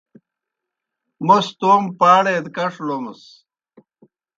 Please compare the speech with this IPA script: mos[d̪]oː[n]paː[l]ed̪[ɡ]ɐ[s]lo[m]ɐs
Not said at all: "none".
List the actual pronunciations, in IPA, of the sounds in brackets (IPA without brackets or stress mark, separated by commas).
t̪, m, ɽ, k, ʂ, m